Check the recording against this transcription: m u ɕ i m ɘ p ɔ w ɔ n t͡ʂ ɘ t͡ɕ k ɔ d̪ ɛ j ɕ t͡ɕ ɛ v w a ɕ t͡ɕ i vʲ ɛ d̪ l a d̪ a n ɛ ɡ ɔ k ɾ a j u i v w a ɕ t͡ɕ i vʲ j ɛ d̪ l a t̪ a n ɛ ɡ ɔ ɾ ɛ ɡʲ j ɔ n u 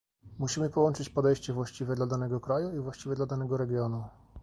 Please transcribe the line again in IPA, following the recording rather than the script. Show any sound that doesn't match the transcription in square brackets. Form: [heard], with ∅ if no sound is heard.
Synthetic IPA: m u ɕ i m ɘ p ɔ w ɔ n t͡ʂ ɘ t͡ɕ [p] ɔ d̪ ɛ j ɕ t͡ɕ ɛ v w a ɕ t͡ɕ i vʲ ɛ d̪ l a d̪ a n ɛ ɡ ɔ k ɾ a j u i v w a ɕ t͡ɕ i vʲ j ɛ d̪ l a [d̪] a n ɛ ɡ ɔ ɾ ɛ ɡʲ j ɔ n u